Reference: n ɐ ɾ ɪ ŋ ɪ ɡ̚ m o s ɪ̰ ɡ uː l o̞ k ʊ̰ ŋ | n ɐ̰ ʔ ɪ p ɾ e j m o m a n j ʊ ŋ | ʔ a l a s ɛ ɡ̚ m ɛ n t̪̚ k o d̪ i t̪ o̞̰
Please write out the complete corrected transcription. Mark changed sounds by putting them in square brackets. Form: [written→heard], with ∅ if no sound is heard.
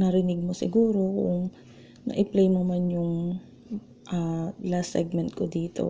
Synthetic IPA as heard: n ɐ ɾ ɪ [ŋ→n] ɪ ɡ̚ m o s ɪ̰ ɡ uː [l→ɾ] o̞ k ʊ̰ ŋ | n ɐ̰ ʔ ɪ p [ɾ→l] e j m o m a n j ʊ ŋ | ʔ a l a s ɛ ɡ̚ m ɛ n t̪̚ k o d̪ [i→iː] t̪ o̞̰